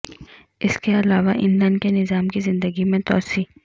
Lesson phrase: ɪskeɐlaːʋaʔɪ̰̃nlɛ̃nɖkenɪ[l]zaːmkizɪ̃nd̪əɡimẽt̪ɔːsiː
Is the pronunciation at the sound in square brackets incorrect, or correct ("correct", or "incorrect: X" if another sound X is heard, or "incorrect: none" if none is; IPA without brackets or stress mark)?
incorrect: none